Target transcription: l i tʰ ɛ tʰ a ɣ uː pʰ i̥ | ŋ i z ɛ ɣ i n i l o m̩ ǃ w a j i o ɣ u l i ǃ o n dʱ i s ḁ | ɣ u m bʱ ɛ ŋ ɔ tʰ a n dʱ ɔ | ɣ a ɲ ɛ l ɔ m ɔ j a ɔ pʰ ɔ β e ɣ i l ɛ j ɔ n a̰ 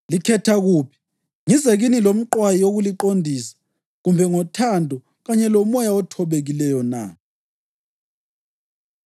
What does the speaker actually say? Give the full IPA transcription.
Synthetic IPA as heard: l i kʰ ɛ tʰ a ɣ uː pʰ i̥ | ŋ i z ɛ ɣ i n i l o m̩ ǃ w a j i o ɣ u l i ǃ o n dʱ i s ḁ | ɣ u m bʱ ɛ ŋ ɔ tʰ a n dʱ ɔ | ɣ a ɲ ɛ l ɔ m ɔ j a ɔ tʰ ɔ β e ɣ i l ɛ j ɔ n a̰